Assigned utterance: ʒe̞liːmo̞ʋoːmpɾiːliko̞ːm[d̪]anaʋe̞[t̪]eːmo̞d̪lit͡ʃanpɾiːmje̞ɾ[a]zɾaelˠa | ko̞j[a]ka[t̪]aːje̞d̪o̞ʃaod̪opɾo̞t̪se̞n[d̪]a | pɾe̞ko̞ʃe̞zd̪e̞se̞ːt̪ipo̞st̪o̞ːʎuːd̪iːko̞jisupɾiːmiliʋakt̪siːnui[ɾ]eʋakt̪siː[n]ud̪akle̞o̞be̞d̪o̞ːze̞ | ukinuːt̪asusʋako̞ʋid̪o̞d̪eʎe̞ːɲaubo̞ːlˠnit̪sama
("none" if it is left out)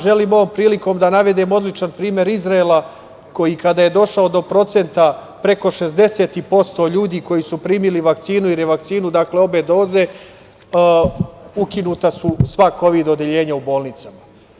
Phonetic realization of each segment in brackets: d̪, d̪, i, i, d̪, t̪, ɾ, n

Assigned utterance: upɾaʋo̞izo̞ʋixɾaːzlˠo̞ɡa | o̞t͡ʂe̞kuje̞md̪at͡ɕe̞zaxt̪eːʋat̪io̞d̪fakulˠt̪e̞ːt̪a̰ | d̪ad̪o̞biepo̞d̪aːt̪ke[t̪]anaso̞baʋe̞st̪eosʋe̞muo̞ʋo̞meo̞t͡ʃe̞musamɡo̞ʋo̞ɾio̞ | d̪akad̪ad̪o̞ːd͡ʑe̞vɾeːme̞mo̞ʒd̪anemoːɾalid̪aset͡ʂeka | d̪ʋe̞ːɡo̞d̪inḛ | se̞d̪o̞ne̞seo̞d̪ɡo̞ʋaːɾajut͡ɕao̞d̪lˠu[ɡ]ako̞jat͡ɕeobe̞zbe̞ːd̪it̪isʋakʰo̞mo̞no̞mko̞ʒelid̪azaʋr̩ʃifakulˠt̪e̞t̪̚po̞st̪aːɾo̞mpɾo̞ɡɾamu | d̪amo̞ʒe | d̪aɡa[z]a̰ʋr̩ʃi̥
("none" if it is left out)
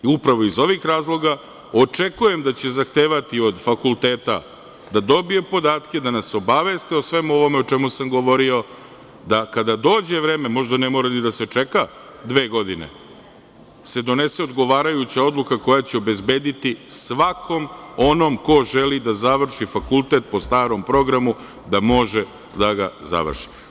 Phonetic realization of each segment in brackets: d̪, k, z

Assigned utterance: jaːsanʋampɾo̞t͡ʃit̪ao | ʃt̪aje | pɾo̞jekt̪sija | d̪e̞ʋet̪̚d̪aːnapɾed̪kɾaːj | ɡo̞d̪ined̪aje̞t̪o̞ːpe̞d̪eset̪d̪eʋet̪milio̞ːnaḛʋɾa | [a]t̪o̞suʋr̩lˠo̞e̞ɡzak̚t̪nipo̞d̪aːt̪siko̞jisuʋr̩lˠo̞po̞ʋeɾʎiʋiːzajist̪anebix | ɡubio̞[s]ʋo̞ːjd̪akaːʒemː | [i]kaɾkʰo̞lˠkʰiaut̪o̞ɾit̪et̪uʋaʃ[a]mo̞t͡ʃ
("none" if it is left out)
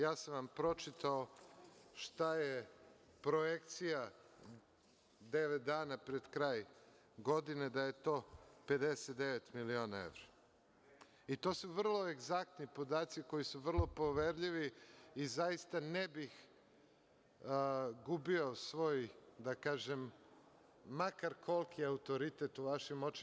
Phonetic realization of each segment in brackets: i, s, a, i

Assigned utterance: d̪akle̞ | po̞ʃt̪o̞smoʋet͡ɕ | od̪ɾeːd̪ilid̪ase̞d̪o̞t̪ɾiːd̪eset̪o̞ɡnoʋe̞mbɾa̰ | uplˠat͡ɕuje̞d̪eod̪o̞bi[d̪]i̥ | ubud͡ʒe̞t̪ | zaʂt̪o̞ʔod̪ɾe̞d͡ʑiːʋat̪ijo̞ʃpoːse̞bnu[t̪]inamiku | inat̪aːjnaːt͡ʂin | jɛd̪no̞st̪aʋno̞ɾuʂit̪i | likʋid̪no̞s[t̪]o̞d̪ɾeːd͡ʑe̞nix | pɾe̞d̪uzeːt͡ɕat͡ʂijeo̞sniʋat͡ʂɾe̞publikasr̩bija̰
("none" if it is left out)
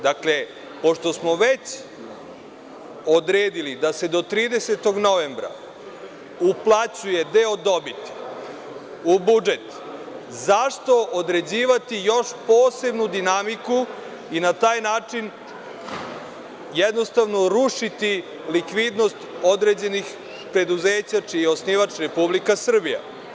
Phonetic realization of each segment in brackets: t̪, d̪, t̪

